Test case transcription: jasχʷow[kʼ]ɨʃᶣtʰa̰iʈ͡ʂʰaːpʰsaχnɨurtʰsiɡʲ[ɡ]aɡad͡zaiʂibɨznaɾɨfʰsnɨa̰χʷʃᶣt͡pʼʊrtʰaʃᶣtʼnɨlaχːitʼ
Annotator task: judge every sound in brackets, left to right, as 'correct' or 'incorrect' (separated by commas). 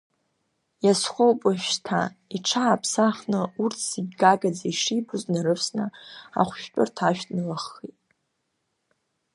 incorrect, correct